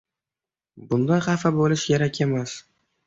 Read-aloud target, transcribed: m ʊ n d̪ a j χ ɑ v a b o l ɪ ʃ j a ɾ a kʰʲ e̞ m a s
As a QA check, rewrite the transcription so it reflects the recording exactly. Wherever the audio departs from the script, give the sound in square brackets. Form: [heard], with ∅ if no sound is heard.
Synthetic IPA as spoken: [b] ʊ n d̪ a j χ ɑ [f] a b o l ɪ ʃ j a ɾ a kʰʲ e̞ m a s

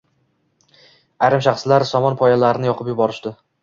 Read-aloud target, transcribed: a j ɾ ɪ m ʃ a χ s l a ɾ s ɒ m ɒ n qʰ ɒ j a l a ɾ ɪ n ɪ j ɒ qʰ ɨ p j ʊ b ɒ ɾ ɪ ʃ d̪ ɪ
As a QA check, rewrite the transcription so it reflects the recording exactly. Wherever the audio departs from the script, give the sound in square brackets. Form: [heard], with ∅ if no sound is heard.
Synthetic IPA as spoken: a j ɾ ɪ m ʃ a χ s l a ɾ s ɒ m ɒ n [pʰ] ɒ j a l a ɾ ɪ n ɪ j ɒ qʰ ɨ p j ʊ b ɒ ɾ ɪ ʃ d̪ ɪ

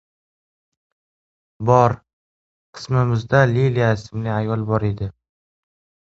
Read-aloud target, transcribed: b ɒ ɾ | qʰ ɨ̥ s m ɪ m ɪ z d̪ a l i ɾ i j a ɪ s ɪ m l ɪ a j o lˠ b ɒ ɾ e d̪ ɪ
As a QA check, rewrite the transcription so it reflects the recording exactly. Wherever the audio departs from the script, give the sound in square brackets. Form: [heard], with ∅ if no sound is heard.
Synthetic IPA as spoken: b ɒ ɾ | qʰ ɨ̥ s m ɪ m ɪ z d̪ a l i [l] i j a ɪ s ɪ m l ɪ a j [ɒ] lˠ b ɒ ɾ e d̪ ɪ

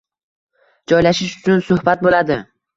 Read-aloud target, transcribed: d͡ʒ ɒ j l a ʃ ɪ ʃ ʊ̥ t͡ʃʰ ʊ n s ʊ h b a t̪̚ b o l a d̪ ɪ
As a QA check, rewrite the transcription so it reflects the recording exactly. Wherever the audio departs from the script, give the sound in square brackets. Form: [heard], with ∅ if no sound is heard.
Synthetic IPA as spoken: d͡ʒ ɒ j l a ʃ ɪ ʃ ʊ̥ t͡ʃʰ ʊ n s ʊ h b a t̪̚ b o l a d̪ ɪ

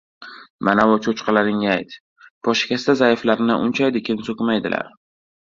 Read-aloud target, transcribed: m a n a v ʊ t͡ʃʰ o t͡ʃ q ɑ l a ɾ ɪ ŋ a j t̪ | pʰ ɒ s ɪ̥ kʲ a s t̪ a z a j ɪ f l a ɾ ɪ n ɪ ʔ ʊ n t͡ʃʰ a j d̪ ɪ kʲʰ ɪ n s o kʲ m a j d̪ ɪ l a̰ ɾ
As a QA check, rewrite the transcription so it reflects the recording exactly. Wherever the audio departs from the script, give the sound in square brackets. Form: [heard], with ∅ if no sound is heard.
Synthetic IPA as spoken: m a n a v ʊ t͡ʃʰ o t͡ʃ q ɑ l a ɾ ɪ ŋ a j t̪ | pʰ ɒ [ʃ] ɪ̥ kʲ a s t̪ a z a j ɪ f l a ɾ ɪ n ɪ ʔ ʊ n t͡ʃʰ a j d̪ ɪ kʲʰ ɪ n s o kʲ m a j d̪ ɪ l a̰ ɾ

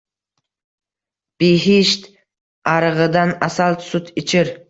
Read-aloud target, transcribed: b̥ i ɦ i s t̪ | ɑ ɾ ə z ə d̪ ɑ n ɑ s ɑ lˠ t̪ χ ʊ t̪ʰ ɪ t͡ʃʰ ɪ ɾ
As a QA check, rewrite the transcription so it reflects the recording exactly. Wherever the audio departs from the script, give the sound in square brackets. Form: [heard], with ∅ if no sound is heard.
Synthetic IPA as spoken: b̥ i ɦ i [ʃ] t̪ | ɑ ɾ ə [ʁ] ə d̪ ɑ n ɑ s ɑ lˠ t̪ [s] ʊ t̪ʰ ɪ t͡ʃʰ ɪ ɾ

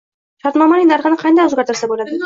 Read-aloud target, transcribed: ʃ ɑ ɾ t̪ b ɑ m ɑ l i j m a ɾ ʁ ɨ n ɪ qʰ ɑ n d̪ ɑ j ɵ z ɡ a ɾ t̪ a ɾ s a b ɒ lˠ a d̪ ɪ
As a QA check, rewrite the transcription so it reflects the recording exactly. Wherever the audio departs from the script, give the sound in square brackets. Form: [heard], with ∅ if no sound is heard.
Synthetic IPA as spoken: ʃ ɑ ɾ t̪ [m] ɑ m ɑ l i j [n] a ɾ ʁ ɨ n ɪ qʰ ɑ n d̪ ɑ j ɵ z ɡ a ɾ t̪ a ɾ s a b [o] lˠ a d̪ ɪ

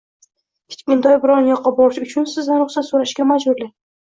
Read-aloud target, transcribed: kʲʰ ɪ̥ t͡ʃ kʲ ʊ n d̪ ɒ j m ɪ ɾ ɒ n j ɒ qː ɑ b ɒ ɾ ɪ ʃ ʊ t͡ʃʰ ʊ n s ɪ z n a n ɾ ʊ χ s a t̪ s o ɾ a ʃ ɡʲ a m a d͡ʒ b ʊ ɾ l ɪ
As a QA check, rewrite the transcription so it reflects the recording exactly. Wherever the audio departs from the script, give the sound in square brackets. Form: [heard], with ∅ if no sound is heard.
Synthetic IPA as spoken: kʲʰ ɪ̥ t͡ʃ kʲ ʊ n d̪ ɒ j [b] ɪ ɾ ɒ n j ɒ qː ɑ b ɒ ɾ ɪ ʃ ʊ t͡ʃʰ ʊ n s ɪ z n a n ɾ ʊ χ s a t̪ s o ɾ a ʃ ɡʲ a m a d͡ʒ b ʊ ɾ l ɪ

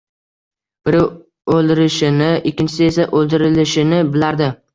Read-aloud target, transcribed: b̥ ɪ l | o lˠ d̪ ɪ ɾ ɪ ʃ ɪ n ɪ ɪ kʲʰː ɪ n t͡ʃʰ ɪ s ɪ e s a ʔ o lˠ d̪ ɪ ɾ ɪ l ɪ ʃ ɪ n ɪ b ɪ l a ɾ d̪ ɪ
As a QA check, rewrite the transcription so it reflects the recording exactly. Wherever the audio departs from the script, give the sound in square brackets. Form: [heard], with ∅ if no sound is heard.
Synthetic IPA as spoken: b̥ ɪ [ɾ] | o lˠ d̪ ɪ ɾ ɪ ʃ ɪ n ɪ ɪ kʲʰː ɪ n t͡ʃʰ ɪ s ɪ e s a ʔ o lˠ d̪ ɪ ɾ ɪ l ɪ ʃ ɪ n ɪ b ɪ l a ɾ d̪ ɪ

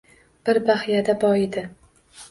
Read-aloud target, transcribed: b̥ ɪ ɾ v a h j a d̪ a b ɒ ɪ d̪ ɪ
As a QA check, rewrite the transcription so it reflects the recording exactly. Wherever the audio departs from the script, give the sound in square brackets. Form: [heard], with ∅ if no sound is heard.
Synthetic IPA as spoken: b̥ ɪ ɾ [b] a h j a d̪ a b ɒ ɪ d̪ ɪ

